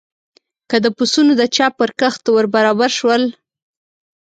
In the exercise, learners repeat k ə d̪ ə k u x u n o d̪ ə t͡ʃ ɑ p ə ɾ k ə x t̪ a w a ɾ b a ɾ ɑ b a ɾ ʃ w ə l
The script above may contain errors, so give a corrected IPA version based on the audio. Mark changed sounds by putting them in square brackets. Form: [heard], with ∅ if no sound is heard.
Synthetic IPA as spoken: k ə d̪ ə [p] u [s] u n o d̪ ə t͡ʃ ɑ p ə ɾ k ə x t̪ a w [ə] ɾ b a ɾ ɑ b a ɾ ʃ w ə l